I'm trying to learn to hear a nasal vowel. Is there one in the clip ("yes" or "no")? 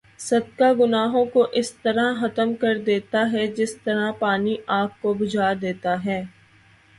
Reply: yes